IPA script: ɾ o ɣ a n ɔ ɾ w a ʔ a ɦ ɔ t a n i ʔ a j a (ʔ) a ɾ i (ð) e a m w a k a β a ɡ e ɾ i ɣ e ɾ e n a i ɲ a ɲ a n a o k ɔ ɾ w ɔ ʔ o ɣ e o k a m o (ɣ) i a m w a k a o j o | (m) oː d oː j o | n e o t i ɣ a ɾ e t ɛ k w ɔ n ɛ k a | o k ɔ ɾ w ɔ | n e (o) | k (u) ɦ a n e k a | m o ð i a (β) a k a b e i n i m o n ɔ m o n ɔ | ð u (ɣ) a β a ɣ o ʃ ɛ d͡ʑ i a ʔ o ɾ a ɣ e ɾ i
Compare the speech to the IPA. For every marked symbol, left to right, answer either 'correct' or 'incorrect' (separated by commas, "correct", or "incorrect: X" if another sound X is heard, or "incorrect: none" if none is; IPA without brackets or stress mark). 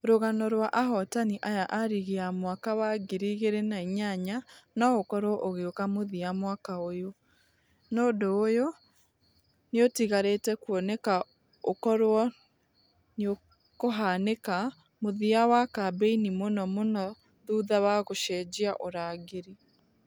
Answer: correct, incorrect: ɣ, incorrect: ð, incorrect: n, correct, incorrect: o, incorrect: w, incorrect: ð